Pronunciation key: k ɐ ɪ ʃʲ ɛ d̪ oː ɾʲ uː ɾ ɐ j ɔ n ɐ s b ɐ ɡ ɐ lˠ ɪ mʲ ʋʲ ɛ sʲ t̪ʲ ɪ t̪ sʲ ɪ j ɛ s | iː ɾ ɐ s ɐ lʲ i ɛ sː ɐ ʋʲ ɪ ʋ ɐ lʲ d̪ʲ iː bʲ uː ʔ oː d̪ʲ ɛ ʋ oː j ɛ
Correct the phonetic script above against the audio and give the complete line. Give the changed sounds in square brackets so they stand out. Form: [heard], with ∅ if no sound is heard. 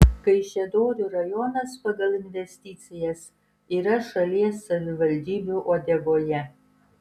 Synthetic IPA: k ɐ ɪ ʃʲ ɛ d̪ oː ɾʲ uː ɾ ɐ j ɔ n ɐ s [p] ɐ ɡ ɐ lˠ ɪ [nʲ] ʋʲ ɛ sʲ t̪ʲ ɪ t̪ sʲ ɪ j ɛ s | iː ɾ ɐ [ʃ] ɐ lʲ i ɛ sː ɐ ʋʲ ɪ ʋ ɐ lʲ d̪ʲ iː bʲ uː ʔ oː d̪ʲ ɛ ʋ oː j ɛ